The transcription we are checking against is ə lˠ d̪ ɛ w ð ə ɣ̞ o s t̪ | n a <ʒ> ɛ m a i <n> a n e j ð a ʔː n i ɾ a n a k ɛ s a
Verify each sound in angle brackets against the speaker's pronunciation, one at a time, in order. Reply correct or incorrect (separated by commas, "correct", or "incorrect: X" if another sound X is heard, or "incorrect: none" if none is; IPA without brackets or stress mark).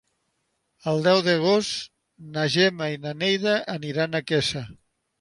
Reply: correct, correct